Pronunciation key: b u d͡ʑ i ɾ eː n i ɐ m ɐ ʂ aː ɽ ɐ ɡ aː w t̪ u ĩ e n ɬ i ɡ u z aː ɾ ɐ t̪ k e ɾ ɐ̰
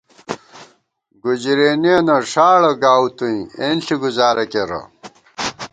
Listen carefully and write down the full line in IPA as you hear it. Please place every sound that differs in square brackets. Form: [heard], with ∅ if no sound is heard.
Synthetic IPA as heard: [ɡ] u d͡ʑ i ɾ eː n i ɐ [n] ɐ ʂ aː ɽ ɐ ɡ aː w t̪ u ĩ e n ɬ i ɡ u z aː ɾ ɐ [∅] k e ɾ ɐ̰